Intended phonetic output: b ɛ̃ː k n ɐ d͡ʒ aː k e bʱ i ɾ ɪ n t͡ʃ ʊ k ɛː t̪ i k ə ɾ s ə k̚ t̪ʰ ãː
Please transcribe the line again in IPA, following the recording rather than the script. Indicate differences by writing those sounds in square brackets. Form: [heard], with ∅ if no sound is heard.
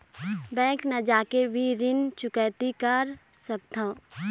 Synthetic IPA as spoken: b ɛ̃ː k n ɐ d͡ʒ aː k e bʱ i ɾ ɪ n t͡ʃ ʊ k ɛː t̪ i k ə ɾ s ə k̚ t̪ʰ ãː